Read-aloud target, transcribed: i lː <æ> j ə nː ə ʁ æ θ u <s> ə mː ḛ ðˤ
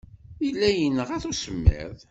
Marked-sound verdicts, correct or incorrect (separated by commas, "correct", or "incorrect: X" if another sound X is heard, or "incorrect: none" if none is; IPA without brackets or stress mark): correct, correct